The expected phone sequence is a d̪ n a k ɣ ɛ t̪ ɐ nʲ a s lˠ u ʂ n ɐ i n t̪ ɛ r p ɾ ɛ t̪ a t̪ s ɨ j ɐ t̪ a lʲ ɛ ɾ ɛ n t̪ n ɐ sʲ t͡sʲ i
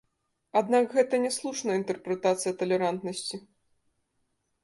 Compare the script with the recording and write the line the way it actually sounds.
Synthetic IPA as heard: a d̪ n a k ɣ ɛ t̪ ɐ nʲ ɛ s lˠ u ʂ n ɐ i n t̪ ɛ r p ɾ ɛ t̪ a t̪ s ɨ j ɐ t̪ ɐ lʲ ɛ ɾ a n t̪ n ɐ sʲ t͡sʲ i